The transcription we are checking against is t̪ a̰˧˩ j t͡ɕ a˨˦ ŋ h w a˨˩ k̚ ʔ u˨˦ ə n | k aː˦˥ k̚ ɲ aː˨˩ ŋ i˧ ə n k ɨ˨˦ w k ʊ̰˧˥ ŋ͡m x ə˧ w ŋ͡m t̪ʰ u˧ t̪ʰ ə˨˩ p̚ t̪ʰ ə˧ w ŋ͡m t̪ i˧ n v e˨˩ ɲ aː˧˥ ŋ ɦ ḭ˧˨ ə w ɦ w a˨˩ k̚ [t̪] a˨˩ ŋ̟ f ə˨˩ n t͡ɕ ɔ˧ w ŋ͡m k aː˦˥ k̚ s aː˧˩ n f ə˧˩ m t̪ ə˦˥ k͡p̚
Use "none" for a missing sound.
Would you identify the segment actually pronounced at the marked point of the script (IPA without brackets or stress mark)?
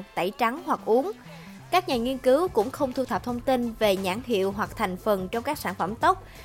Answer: t̪ʰ